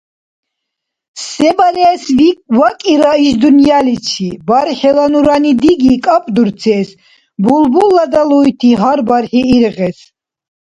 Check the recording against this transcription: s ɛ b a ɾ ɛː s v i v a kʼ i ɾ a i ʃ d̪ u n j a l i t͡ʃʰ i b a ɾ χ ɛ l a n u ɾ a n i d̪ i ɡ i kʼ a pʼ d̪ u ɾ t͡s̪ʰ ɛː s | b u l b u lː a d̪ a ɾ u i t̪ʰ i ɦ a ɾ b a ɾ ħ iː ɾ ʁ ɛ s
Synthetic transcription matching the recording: s ɛ b a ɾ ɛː s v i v a kʼ i ɾ a i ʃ d̪ u n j a l i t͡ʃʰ i b a ɾ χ ɛ l a n u ɾ a n i d̪ i ɡ i kʼ a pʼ d̪ u ɾ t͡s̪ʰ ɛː s | b u l b u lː a d̪ a l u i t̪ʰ i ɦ a ɾ b a ɾ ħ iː ɾ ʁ ɛ s